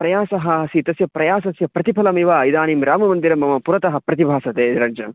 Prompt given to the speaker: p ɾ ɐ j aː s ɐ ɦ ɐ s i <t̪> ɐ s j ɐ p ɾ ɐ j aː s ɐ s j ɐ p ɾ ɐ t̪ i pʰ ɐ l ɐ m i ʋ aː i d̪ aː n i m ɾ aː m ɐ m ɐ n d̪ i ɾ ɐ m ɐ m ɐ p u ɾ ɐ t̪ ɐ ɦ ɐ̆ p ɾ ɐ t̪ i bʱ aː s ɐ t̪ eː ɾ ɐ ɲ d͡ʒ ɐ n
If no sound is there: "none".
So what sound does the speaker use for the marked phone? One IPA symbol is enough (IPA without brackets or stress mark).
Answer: t̪